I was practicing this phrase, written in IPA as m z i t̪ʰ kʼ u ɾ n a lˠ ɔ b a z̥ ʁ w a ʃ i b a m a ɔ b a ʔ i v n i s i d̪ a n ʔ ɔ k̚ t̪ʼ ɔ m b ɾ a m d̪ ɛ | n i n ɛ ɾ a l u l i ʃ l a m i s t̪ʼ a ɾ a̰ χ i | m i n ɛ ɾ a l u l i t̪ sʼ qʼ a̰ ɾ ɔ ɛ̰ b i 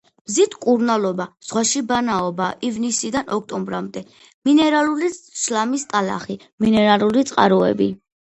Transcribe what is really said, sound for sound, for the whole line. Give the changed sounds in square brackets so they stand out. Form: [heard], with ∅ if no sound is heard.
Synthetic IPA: m z i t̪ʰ kʼ u ɾ n a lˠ ɔ b a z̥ ʁ w a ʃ i b a [n] a ɔ b a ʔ i v n i s i d̪ a n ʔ ɔ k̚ t̪ʼ ɔ m b ɾ a m d̪ ɛ | [m] i n ɛ ɾ a l u l i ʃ l a m i s t̪ʼ a [l] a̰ χ i | m i n ɛ ɾ a l u l i t̪ sʼ qʼ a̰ ɾ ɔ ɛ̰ b i